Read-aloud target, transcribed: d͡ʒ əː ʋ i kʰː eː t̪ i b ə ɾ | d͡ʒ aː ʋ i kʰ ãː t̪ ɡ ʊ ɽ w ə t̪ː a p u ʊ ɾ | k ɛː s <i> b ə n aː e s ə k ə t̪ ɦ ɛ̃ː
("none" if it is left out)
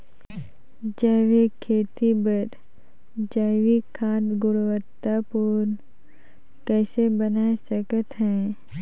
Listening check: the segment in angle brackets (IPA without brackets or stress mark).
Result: e